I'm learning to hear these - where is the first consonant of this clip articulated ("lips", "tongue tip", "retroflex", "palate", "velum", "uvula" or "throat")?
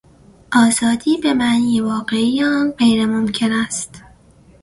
throat